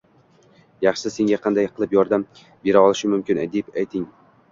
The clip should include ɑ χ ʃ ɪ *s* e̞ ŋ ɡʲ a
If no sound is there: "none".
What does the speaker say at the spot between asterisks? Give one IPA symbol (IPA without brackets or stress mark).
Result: s